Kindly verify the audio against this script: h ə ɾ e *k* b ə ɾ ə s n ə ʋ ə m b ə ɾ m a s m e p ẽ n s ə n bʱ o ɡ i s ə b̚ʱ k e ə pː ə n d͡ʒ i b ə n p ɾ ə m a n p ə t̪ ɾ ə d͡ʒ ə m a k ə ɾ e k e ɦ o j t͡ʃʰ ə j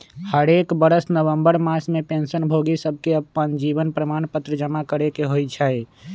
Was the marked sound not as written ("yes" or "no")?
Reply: no